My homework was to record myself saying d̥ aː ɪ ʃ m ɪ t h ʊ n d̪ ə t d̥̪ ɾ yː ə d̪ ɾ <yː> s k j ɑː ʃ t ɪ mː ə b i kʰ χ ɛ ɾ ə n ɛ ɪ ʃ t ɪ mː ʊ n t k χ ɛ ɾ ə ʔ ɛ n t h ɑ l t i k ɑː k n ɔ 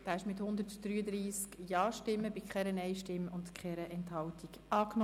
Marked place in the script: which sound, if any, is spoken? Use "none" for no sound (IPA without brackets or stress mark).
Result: iː